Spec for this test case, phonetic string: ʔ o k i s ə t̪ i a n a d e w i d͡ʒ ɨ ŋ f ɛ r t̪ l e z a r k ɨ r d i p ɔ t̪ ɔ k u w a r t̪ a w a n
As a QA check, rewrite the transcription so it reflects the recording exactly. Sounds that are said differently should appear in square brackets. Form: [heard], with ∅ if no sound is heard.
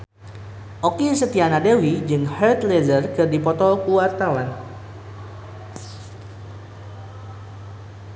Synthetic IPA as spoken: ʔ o k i s ə t̪ i a n a d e w i d͡ʒ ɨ ŋ [h] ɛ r t̪ l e z [ə] r k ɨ r d i p ɔ t̪ ɔ k u w a r t̪ a w a n

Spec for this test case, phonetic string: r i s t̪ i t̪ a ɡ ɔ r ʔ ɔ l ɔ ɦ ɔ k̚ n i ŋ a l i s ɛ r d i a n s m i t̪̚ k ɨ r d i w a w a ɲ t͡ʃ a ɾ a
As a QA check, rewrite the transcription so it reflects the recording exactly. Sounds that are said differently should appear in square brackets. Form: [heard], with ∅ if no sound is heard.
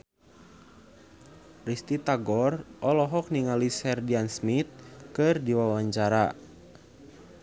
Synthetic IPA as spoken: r i s t̪ i t̪ a ɡ ɔ r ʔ ɔ l ɔ ɦ ɔ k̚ n i ŋ a l i s ɛ r d i a n s m i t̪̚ k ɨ r d i w a w a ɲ t͡ʃ a ɾ a

